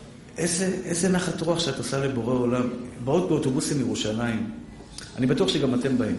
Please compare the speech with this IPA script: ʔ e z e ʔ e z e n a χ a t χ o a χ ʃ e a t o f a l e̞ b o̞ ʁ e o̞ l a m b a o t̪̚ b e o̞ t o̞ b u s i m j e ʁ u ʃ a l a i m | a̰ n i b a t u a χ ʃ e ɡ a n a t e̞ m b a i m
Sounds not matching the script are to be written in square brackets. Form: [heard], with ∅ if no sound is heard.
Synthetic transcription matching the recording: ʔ e z e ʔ e z e n a χ a t [ʁ] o a χ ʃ e a t o [s] a l e̞ b o̞ ʁ e o̞ l a m b a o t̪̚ b e o̞ t o̞ b u s i m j e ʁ u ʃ a l a i m | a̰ n i b a t u a χ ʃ e ɡ a [m] a t e̞ m b a i m